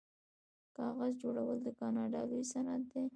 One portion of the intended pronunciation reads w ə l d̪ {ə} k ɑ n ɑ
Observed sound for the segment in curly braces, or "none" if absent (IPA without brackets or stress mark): ə